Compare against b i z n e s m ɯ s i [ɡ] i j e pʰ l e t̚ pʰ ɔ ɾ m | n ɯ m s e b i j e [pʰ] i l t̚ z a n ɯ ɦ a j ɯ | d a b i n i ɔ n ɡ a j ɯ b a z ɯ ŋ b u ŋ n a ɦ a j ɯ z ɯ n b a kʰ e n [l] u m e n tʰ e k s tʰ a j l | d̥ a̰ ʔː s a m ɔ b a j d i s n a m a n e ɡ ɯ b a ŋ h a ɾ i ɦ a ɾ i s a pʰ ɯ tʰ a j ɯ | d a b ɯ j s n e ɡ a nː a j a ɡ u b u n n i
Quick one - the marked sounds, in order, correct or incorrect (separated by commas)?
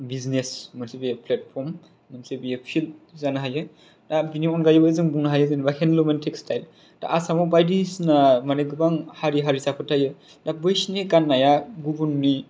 incorrect, correct, correct